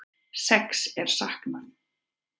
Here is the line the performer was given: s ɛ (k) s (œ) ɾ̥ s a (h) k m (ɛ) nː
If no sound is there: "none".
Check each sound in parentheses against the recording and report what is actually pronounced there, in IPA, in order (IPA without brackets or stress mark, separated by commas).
k, ɛ, h, a